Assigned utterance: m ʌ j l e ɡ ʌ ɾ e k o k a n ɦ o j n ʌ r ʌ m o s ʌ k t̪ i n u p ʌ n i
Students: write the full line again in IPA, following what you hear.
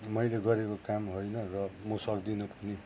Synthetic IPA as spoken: m ʌ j l e ɡ ʌ ɾ e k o k a m ɦ o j n ʌ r ʌ m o s ʌ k d̪ i n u p ʌ n i